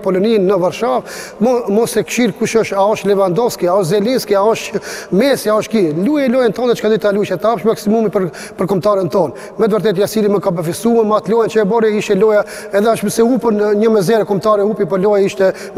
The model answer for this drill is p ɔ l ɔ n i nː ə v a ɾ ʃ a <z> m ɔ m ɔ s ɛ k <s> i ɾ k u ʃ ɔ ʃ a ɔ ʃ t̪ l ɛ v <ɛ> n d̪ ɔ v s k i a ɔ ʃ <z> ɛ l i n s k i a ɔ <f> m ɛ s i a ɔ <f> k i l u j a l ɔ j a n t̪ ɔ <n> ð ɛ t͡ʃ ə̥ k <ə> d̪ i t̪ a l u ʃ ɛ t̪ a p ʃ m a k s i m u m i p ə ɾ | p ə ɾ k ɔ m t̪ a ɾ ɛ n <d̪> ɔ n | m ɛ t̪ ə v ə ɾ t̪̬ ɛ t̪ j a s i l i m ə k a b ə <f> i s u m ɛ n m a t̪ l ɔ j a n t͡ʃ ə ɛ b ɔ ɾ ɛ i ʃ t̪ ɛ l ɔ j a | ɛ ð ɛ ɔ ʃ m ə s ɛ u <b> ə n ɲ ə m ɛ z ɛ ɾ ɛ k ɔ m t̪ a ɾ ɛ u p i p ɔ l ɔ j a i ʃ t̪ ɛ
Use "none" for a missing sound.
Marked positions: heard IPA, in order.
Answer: v, ʃ, a, z, ʃ, ʃ, n, a, t̪, f, p

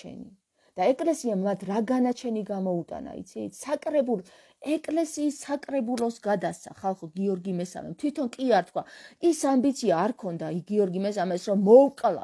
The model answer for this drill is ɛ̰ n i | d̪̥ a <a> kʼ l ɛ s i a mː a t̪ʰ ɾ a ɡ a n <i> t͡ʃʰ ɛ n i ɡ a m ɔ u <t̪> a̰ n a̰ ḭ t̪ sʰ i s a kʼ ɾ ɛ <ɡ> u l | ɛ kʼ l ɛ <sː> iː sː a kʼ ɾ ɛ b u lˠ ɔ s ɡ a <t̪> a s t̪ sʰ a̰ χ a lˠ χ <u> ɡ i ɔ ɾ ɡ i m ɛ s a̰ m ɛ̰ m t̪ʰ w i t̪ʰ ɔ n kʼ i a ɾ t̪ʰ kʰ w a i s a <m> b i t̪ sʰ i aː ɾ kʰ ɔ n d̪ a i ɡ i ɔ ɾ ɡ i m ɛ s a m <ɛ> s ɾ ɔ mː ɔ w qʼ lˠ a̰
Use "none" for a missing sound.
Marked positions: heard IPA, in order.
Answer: ɛ, a, t̪ʼ, b, s, d̪, ɔ, m, ɛ

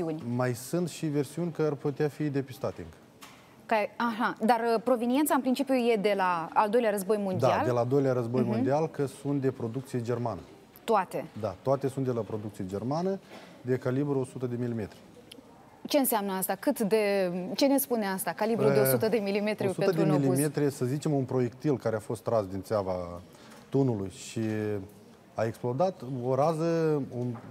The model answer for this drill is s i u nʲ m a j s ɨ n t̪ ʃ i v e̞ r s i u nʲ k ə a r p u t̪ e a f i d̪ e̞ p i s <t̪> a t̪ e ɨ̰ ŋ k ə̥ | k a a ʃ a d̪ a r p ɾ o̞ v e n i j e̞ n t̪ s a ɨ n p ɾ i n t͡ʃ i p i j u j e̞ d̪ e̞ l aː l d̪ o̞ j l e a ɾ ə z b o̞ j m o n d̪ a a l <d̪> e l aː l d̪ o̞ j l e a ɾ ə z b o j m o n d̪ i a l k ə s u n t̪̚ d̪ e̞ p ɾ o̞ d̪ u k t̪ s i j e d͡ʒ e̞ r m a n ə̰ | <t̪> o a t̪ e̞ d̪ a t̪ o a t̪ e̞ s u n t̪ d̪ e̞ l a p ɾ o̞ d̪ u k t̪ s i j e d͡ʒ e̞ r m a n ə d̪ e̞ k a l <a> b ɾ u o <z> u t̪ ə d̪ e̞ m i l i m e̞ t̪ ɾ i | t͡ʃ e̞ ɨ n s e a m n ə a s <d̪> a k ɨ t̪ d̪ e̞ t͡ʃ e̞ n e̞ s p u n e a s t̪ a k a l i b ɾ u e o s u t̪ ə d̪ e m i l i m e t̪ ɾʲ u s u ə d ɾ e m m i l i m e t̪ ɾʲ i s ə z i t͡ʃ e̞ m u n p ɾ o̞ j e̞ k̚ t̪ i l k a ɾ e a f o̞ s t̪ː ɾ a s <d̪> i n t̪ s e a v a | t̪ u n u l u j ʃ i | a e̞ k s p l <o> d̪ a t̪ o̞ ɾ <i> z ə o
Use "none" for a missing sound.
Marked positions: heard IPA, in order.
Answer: t̪, d̪, t̪, i, s, t̪, d̪, o, a

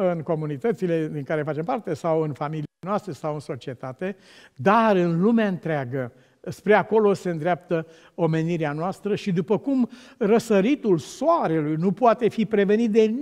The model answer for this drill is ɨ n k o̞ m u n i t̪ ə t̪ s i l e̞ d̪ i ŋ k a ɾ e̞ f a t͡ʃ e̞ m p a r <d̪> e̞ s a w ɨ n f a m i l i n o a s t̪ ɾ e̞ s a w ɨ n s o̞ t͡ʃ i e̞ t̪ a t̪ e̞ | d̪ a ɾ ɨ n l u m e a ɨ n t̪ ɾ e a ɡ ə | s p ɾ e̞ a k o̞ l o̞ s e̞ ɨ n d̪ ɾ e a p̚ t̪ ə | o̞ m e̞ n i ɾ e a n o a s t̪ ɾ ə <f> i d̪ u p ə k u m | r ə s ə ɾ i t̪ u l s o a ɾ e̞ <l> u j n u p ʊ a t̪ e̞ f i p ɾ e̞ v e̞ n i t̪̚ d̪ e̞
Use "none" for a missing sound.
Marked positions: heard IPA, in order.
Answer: t̪, ʃ, l

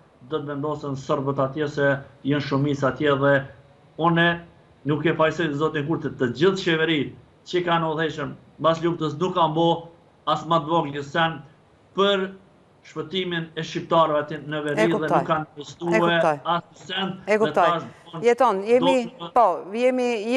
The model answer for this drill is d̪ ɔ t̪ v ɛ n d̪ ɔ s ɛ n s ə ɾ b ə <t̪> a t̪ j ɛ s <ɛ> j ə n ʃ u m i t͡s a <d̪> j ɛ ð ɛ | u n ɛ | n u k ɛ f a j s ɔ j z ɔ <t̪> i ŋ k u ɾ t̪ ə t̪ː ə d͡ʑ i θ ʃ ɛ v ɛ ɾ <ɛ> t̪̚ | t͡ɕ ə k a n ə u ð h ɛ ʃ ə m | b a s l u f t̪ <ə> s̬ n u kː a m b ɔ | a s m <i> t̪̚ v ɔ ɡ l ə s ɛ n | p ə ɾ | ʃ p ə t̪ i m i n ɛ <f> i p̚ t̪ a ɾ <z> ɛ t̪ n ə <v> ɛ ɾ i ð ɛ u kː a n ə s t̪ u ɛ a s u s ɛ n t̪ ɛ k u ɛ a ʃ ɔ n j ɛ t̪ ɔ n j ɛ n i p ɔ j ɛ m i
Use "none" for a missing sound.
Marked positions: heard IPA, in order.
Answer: t̪, ɛ, t̪, t̪, i, ə, a, ʃ, v, v

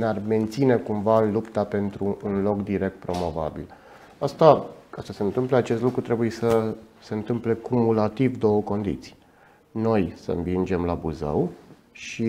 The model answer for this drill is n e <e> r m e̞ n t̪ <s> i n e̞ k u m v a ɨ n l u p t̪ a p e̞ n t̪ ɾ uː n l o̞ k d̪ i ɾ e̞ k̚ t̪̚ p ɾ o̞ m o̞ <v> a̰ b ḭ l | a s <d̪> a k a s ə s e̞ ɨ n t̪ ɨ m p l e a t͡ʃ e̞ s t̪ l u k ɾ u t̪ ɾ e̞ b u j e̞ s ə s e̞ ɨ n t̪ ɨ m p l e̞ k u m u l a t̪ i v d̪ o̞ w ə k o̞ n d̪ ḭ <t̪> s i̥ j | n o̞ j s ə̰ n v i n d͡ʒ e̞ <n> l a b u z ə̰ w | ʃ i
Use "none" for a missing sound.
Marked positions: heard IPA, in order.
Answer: a, s, v, t̪, t̪, m

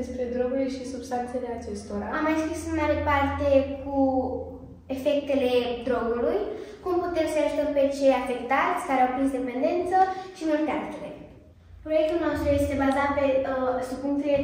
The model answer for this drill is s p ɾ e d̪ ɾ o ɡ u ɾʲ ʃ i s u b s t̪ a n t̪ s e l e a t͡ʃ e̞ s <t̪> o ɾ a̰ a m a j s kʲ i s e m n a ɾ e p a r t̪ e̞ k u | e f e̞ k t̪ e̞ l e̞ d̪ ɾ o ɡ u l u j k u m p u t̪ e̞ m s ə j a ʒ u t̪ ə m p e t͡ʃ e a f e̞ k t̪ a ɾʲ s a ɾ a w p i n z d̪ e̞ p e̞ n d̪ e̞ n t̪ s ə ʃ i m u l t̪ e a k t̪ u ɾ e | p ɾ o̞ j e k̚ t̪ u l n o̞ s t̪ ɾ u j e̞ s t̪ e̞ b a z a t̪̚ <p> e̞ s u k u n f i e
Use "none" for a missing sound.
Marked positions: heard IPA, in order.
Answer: t̪, p

